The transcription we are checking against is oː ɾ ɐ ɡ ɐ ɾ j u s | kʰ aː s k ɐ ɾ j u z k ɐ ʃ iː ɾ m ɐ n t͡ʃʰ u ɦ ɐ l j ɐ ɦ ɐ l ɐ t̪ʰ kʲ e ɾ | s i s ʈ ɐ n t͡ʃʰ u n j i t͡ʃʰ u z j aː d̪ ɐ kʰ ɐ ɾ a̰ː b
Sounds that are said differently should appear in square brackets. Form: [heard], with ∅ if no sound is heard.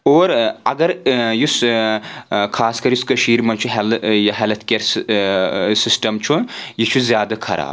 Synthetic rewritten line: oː ɾ ɐ ɡ ɐ ɾ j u s | kʰ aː s k ɐ ɾ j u [s] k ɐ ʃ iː ɾ m ɐ n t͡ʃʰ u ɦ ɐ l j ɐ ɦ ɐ l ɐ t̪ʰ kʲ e ɾ | s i s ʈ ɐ [m] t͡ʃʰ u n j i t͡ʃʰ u z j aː d̪ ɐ kʰ ɐ ɾ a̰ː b